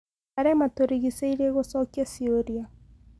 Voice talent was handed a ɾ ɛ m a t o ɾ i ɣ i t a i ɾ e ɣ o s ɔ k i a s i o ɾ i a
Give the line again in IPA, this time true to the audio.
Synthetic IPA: a ɾ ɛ m a t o ɾ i ɣ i s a i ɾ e ɣ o s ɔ k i a s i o ɾ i a